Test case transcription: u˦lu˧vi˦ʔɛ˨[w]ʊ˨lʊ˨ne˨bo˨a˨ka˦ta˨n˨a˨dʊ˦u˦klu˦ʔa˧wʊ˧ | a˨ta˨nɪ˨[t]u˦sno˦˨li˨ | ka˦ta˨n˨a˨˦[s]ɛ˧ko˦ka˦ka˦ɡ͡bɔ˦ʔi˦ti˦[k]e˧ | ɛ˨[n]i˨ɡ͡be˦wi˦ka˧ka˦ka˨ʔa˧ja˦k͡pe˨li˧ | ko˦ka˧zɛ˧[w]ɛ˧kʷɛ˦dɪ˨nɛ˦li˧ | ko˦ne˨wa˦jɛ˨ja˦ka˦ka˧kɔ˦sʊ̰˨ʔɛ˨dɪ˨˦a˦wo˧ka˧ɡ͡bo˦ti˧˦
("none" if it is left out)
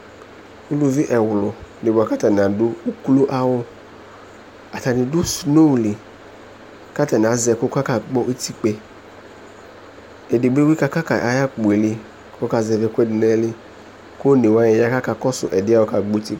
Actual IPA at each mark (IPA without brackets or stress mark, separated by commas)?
w, d, z, k͡p, d, v